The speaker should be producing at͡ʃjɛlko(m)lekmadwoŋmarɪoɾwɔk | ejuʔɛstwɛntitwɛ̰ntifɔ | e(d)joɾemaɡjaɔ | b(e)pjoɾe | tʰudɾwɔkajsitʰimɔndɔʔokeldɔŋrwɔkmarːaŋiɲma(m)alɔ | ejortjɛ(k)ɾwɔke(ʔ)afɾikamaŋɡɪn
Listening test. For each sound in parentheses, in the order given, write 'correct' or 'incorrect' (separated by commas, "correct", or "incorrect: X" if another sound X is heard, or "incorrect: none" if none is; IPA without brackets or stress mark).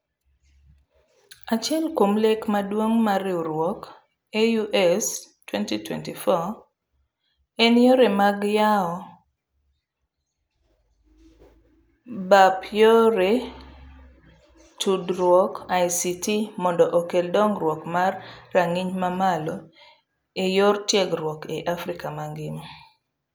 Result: correct, incorrect: n, incorrect: a, correct, incorrect: ɡ, correct